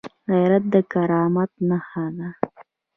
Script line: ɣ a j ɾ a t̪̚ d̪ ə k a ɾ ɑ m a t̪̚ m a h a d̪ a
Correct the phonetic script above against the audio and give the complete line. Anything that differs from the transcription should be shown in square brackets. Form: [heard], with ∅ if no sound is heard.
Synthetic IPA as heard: ɣ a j ɾ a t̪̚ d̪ ə k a ɾ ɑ m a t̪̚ [n] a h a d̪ a